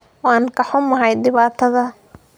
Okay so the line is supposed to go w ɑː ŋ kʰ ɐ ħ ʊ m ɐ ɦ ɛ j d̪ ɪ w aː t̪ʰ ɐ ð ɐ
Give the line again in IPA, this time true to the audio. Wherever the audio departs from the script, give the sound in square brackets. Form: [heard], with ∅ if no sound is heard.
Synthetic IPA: w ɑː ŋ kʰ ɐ ħ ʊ m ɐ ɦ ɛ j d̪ ɪ [β] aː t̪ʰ ɐ ð ɐ